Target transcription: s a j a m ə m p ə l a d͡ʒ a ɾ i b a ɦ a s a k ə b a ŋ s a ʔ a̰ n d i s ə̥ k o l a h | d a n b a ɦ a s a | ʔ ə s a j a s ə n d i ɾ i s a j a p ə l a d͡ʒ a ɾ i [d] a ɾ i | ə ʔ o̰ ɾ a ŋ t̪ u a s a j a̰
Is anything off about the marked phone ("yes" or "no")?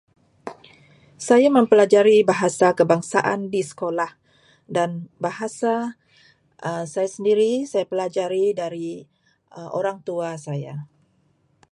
no